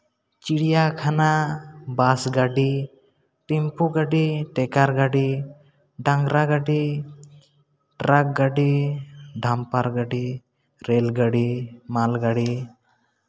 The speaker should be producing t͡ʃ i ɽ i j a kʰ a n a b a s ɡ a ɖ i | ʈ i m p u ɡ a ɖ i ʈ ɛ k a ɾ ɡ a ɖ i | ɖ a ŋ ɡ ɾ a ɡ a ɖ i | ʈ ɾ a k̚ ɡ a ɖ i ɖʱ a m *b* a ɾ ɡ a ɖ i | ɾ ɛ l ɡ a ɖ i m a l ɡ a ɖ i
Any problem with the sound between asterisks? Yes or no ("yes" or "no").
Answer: yes